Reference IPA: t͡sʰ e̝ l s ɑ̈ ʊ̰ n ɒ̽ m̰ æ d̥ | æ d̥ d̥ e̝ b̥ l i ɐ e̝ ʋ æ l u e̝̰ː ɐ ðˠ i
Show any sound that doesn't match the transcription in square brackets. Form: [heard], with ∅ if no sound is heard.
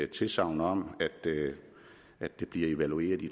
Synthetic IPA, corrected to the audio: t͡sʰ e̝ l s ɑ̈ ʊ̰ n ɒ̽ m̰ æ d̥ | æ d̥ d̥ e̝ b̥ l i ɐ e̝ ʋ æ l u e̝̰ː ɐ ðˠ i